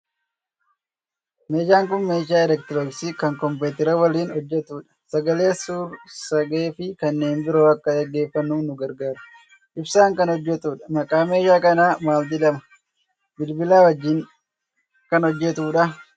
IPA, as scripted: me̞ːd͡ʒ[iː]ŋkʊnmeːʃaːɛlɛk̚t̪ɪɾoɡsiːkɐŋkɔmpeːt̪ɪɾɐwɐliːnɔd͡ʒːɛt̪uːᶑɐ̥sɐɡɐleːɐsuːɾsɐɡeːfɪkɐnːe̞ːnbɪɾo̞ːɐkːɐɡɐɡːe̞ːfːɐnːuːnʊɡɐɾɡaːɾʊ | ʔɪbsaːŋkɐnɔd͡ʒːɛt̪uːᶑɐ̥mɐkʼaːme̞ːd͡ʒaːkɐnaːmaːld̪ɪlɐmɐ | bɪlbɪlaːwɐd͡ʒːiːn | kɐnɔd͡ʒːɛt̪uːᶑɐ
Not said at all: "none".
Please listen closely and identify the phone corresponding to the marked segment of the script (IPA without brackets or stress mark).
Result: aː